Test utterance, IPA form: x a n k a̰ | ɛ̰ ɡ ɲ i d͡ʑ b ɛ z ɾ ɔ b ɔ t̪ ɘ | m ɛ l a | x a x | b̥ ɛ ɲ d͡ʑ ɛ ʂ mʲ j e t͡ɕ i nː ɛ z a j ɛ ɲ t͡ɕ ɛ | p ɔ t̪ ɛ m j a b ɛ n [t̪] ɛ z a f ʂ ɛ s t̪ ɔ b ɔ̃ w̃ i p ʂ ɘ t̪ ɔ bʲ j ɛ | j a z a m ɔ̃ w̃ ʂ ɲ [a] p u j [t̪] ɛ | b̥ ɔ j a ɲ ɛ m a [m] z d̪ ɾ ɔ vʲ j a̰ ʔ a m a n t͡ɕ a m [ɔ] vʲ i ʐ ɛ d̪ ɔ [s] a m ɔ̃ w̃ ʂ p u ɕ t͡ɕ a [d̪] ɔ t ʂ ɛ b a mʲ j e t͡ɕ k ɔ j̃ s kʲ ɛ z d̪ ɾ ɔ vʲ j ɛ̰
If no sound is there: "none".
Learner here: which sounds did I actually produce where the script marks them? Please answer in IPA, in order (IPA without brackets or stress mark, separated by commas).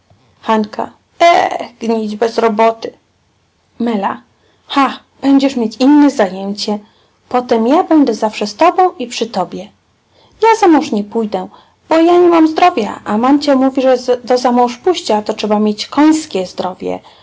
d̪, ɛ, d̪, m, u, z, t̪